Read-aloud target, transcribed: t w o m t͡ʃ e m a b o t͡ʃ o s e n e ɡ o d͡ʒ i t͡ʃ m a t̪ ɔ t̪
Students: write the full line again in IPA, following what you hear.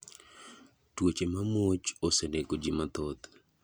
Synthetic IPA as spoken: t w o t͡ʃ e m a m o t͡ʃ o s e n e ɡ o d͡ʒ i m a t̪ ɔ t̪